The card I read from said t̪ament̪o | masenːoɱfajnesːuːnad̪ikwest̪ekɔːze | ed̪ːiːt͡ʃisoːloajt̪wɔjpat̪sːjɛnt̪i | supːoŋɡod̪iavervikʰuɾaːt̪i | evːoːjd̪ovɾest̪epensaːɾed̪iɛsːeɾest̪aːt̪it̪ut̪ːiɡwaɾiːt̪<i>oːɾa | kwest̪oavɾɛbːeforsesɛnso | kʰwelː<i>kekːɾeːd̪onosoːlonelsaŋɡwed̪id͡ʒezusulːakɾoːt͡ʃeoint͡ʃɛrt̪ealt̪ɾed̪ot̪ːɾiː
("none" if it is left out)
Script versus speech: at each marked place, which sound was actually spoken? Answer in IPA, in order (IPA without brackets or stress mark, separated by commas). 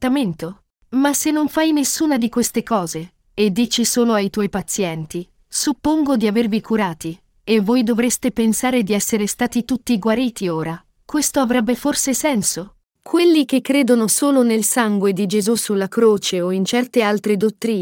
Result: i, i